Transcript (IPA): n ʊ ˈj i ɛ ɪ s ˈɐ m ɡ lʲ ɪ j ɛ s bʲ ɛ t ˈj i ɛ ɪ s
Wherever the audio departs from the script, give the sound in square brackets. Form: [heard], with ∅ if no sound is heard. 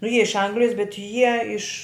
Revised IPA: n ʊ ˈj i ɛ ɪ [ʃ] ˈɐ [ŋ] ɡ lʲ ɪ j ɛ s bʲ ɛ t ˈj i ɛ ɪ [ʃ]